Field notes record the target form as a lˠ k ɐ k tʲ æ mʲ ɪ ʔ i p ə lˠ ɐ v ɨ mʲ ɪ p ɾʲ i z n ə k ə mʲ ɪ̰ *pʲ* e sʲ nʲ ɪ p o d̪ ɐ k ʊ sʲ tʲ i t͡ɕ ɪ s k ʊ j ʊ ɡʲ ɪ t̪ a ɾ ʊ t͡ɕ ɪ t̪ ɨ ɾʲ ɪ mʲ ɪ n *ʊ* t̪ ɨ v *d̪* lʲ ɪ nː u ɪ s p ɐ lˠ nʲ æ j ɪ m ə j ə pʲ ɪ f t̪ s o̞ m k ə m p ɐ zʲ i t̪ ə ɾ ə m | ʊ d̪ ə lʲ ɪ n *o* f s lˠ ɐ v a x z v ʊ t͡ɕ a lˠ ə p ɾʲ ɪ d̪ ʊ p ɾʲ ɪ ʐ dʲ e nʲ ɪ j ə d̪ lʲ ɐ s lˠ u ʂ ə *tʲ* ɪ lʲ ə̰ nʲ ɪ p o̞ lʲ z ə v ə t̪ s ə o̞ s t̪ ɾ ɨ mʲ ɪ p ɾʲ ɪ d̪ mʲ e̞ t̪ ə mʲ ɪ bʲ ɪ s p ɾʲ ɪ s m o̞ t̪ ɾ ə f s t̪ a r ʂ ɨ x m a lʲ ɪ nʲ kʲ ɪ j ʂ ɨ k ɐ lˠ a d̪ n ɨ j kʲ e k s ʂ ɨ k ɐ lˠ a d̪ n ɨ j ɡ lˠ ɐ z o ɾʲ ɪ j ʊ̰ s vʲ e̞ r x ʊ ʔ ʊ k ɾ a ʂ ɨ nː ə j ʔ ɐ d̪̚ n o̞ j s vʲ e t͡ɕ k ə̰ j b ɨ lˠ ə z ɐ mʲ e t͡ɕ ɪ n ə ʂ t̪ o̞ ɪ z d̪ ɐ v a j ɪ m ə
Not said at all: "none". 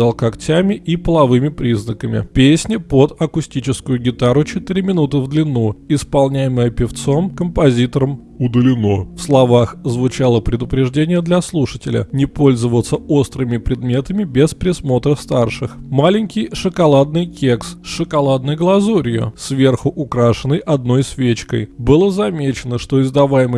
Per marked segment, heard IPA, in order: pʲ, u, d̪, o, tʲ

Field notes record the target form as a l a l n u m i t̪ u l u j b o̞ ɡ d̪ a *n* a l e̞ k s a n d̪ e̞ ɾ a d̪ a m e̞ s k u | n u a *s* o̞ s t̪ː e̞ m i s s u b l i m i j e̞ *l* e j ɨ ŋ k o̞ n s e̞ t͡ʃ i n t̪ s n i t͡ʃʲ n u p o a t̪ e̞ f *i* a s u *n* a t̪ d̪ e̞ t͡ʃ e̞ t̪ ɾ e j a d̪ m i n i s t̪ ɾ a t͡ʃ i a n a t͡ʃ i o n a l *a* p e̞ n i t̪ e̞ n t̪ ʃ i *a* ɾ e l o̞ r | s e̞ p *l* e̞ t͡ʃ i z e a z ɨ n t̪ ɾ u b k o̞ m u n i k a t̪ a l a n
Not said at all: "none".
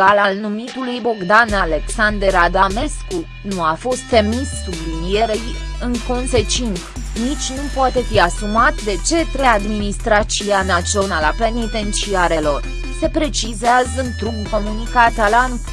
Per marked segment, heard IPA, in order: n, f, ɾ, i, m, a, a, ɾ

